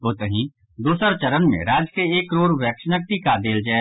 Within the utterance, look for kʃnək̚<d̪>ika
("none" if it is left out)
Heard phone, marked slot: t̪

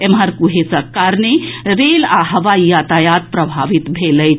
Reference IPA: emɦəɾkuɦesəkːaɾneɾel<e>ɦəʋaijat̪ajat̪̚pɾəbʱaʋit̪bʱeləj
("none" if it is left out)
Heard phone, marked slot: a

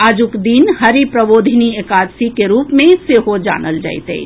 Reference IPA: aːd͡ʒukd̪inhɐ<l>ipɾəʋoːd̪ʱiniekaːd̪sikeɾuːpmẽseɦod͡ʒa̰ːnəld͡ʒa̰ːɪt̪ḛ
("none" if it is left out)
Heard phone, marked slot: ɾ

